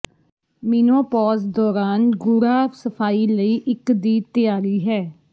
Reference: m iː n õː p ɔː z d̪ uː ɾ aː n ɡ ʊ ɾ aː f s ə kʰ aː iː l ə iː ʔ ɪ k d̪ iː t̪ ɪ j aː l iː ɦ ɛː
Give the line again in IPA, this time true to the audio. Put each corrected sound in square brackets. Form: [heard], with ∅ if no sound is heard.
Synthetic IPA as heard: m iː n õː p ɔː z d̪ [ɔː] ɾ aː n ɡ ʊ ɾ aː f s ə [pʰ] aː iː l ə iː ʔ ɪ k d̪ iː t̪ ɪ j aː [ɾ] iː ɦ ɛː